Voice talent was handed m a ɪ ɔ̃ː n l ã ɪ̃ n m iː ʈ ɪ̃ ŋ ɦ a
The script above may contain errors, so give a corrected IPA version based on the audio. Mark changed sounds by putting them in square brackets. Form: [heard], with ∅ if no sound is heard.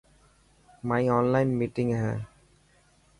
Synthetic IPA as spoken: m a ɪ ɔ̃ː n l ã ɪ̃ n m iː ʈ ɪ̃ ŋ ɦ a